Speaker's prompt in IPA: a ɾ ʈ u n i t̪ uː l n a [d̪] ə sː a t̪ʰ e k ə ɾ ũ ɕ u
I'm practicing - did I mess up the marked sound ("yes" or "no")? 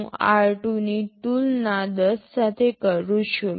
no